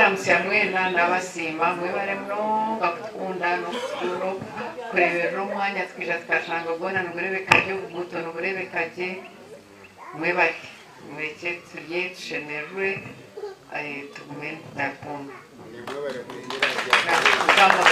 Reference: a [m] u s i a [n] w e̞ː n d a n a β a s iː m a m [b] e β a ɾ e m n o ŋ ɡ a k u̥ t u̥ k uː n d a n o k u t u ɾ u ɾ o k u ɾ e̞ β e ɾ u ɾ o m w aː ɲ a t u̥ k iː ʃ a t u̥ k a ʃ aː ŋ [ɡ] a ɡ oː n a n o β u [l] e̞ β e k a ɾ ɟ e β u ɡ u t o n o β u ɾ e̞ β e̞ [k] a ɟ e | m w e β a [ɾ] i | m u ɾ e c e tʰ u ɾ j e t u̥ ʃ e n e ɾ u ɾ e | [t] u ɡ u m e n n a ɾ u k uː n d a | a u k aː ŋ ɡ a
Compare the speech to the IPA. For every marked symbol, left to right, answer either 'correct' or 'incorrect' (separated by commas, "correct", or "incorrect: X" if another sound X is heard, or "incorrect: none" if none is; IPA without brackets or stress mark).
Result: correct, incorrect: m, incorrect: w, correct, incorrect: ɾ, correct, correct, correct